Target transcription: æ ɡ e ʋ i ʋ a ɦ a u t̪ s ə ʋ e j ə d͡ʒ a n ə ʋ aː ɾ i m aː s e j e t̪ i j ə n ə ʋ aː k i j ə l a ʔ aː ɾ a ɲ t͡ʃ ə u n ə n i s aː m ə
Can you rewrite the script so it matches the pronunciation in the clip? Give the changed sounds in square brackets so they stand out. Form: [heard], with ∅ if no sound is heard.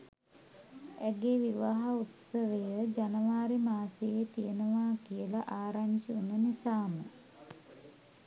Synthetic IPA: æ ɡ e ʋ i ʋ a ɦ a u t̪ s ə ʋ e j ə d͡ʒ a n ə ʋ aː ɾ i m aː s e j e t̪ i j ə n ə ʋ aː k i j ə l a ʔ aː ɾ a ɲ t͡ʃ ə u n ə n i s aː m ə